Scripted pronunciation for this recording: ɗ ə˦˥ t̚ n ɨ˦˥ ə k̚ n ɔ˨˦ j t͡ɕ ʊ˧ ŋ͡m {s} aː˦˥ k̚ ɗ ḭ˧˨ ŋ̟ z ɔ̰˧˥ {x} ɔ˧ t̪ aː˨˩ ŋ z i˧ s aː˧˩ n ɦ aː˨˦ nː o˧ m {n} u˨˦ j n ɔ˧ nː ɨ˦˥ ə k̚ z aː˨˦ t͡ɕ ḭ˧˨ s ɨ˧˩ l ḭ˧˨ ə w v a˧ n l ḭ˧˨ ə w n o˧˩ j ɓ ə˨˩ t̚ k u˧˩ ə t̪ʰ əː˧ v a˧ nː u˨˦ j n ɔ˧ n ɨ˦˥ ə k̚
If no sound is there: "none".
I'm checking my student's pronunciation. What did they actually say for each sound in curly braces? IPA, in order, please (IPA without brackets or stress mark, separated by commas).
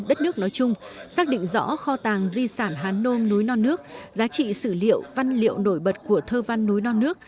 s, x, n